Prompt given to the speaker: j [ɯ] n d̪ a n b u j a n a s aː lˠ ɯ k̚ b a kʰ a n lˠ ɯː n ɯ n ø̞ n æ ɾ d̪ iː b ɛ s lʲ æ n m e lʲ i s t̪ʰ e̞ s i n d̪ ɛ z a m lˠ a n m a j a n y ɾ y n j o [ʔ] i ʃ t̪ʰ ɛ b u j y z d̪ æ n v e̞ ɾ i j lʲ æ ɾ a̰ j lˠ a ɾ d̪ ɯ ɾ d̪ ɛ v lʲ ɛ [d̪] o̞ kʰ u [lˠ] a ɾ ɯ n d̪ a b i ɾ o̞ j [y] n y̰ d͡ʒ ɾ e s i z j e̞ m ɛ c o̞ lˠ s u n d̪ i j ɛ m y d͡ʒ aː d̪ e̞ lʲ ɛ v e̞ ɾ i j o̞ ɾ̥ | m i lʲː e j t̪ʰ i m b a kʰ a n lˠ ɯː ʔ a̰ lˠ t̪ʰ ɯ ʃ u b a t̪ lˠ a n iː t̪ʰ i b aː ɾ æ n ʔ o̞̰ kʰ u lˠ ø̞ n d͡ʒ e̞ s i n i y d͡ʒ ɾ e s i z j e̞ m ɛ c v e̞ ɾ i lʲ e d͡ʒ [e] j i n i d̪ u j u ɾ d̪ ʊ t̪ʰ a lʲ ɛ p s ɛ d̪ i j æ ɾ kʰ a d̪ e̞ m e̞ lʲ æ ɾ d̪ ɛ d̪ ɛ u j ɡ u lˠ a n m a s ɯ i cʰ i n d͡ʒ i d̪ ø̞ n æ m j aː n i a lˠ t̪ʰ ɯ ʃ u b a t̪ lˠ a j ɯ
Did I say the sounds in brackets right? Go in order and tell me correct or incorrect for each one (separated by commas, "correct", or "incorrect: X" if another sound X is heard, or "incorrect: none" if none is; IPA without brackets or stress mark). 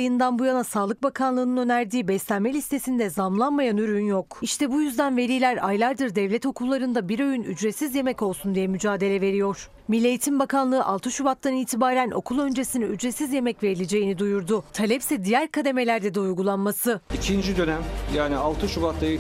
correct, incorrect: k, incorrect: t̪, incorrect: lˠː, correct, correct